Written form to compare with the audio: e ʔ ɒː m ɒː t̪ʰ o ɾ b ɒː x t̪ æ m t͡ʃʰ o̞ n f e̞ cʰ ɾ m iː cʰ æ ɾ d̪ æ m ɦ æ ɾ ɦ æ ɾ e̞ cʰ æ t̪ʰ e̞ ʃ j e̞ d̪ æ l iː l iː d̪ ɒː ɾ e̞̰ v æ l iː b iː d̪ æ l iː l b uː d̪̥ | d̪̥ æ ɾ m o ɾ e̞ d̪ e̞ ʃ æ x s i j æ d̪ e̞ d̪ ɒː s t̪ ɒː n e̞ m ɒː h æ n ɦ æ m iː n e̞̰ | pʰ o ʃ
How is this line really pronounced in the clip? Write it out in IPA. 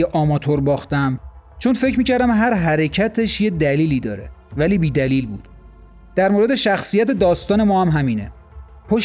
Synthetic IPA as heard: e ʔ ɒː m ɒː t̪ʰ o ɾ b ɒː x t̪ æ m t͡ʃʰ o̞ n f e̞ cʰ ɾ m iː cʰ æ ɾ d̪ æ m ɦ æ ɾ ɦ æ ɾ e̞ cʰ æ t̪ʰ e̞ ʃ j e̞ d̪ æ l iː l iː d̪ ɒː ɾ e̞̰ v æ l iː b iː d̪ æ l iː l b uː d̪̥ | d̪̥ æ ɾ m o ɾ e̞ d̪ e̞ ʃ æ x s i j æ t̪ e̞ d̪ ɒː s t̪ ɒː n e̞ m ɒː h æ m ɦ æ m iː n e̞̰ | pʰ o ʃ